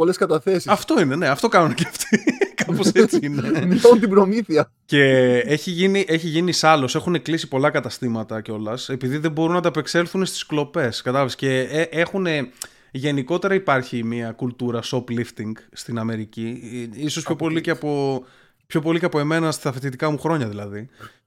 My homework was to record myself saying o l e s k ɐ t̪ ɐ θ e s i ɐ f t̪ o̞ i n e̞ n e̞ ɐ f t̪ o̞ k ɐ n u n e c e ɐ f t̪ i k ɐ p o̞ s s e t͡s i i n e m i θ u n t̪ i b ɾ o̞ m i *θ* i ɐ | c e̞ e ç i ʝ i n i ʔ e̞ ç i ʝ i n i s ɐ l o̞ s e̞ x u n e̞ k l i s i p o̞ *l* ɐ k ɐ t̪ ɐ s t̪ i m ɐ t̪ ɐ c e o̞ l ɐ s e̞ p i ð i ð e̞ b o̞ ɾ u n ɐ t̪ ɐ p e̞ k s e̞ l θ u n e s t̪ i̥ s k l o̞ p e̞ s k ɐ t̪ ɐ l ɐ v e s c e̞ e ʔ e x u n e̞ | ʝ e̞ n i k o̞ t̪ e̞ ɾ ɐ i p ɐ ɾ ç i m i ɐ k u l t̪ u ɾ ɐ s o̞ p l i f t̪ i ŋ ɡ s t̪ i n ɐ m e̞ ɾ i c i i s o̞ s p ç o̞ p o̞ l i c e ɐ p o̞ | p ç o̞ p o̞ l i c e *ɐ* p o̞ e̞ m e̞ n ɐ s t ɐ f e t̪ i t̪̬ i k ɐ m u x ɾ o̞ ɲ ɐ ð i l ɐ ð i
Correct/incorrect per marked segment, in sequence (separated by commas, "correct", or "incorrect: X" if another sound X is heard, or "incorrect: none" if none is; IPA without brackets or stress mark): correct, correct, correct